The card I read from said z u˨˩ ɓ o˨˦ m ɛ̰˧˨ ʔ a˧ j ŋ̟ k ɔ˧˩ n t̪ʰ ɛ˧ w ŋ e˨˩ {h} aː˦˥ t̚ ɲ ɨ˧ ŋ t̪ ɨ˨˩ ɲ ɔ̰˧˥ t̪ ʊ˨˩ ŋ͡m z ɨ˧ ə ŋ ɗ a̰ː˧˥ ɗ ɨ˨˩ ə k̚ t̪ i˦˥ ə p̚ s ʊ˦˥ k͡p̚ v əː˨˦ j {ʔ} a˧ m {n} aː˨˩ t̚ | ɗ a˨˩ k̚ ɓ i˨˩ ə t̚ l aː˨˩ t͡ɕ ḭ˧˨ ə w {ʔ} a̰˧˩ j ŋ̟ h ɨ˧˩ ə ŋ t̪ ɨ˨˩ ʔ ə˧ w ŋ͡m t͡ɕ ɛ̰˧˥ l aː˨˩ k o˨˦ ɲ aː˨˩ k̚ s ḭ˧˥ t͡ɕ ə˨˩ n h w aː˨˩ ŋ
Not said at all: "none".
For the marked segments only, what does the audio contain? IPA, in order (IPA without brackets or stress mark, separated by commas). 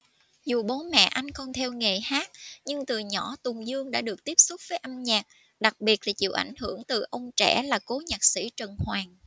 h, ʔ, ɲ, ʔ